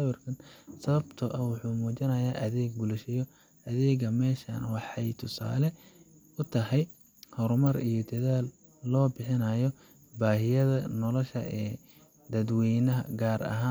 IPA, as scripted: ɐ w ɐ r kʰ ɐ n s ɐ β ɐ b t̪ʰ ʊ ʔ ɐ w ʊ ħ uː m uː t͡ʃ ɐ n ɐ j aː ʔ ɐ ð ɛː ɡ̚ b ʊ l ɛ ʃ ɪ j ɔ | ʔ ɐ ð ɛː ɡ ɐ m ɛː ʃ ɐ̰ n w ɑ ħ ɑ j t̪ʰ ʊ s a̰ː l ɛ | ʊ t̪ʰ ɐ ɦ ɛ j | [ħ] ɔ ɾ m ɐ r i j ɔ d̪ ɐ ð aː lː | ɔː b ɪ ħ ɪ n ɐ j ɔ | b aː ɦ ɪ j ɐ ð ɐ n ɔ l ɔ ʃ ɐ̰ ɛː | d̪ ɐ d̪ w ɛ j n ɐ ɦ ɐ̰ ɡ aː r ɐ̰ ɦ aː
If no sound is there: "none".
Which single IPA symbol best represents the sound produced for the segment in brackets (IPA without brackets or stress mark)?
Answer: h